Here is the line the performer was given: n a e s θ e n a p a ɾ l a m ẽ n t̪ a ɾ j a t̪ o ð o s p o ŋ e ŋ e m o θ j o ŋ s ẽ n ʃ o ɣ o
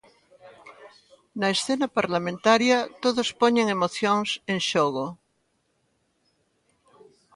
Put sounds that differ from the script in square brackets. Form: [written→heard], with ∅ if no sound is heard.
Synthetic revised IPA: n a e s θ e n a p a ɾ l a m ẽ n t̪ a ɾ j a t̪ o ð o s p o [ŋ→ɲ] e ŋ e m o θ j o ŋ s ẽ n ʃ o ɣ o